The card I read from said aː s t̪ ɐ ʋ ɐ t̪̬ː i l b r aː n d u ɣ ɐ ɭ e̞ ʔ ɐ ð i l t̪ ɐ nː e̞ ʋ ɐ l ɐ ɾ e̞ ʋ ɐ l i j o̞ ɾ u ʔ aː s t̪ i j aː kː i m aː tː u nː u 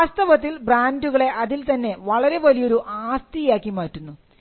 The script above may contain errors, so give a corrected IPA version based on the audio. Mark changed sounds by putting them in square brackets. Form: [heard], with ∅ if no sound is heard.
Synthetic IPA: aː s t̪ ɐ ʋ ɐ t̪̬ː i l b r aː n d u ɣ ɐ ɭ e̞ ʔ ɐ ð i l t̪ ɐ nː e̞ ʋ ɐ [ɭ] ɐ ɾ e̞ ʋ ɐ l i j o̞ ɾ u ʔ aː s t̪ i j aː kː i m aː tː u nː u